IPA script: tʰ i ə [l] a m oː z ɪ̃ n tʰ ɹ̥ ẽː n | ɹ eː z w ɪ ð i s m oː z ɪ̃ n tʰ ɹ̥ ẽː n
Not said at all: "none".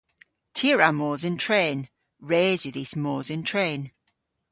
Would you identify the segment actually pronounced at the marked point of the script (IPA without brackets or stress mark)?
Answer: ɹ